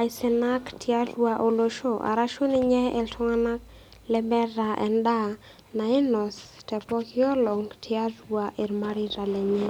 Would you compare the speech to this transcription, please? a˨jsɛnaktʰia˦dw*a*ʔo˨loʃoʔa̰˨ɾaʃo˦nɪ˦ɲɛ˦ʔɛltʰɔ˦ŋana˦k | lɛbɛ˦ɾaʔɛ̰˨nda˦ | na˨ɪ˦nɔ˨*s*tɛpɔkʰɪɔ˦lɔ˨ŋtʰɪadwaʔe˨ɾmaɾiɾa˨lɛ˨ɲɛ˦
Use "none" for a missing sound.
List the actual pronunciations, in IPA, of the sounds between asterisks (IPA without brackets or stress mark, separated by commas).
a, s